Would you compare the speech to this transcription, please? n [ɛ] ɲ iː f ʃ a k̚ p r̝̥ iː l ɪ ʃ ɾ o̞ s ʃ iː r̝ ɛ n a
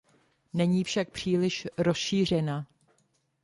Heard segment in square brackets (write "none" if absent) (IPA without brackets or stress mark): ɛ